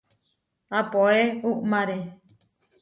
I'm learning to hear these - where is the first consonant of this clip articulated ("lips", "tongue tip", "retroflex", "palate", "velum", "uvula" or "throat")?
lips